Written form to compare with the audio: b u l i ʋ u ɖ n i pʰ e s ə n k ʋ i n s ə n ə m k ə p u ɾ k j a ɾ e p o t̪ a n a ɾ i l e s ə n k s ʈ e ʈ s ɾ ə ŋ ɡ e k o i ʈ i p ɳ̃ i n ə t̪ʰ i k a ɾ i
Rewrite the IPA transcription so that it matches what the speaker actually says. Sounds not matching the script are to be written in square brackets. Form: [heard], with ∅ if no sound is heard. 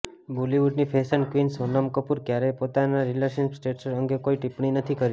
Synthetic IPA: b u l i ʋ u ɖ n i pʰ e s ə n k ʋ i n s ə n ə m k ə p u ɾ k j a ɾ e p o t̪ a n a ɾ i l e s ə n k s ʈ e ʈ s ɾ ə ŋ ɡ e k o i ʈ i p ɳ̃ i n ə t̪ʰ i k [ə] ɾ i